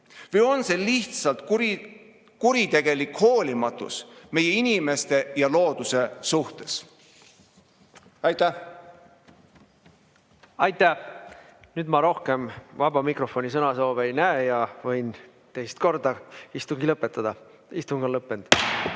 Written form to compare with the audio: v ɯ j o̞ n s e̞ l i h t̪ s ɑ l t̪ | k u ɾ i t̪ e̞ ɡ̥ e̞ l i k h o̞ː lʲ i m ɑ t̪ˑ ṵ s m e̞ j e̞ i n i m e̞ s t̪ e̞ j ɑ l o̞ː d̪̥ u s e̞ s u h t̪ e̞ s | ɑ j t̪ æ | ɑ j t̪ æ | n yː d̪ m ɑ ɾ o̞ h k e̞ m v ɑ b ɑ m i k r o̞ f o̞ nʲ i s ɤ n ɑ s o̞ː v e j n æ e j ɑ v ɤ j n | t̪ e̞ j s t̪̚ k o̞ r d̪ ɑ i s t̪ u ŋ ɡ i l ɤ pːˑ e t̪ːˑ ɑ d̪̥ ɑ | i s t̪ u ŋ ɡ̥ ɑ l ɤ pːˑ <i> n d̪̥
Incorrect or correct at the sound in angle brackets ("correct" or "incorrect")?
incorrect